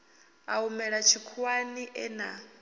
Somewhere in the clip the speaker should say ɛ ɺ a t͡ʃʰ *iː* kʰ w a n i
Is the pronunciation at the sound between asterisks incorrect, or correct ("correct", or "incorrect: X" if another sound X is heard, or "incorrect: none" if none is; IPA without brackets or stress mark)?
incorrect: i